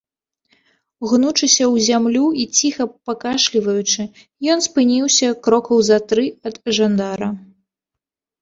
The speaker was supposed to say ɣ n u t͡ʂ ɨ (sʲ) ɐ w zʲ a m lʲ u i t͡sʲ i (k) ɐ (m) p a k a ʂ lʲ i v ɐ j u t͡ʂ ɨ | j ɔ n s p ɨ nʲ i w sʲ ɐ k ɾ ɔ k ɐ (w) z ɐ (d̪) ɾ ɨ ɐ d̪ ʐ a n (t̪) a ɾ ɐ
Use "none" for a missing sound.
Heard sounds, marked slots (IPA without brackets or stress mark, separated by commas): sʲ, x, none, w, t̪, d̪